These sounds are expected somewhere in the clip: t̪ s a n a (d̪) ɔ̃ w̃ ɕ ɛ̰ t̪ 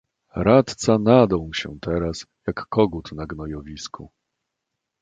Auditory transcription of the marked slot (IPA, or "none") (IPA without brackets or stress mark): d̪